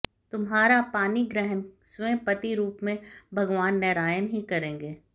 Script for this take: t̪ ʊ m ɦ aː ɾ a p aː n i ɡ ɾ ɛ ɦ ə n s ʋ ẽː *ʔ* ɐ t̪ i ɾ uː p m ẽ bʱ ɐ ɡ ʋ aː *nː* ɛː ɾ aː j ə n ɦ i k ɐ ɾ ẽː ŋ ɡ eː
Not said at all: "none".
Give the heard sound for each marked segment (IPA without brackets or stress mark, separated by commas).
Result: p, nː